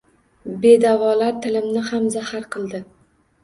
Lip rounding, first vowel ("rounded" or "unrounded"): unrounded